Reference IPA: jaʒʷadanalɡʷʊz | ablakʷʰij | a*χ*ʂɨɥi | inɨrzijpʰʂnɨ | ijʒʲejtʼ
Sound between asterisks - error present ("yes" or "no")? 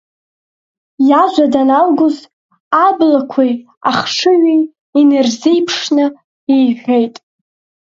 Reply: no